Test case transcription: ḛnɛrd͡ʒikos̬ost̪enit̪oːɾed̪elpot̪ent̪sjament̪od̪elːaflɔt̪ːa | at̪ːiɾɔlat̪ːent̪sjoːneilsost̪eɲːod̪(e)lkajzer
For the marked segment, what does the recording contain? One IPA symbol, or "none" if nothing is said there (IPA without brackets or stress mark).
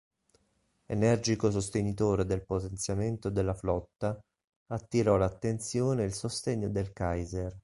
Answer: e